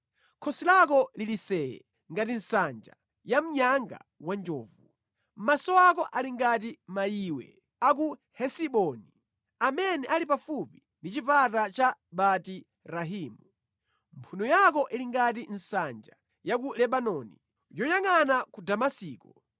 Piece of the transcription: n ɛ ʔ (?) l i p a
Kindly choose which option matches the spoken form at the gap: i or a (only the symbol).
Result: a